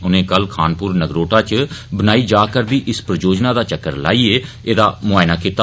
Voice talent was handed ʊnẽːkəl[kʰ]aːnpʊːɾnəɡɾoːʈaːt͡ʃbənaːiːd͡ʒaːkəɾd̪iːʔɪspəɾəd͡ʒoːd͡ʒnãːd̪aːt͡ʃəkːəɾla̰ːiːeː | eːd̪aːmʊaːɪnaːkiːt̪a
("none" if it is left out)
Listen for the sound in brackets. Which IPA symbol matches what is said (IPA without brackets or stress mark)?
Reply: kʰ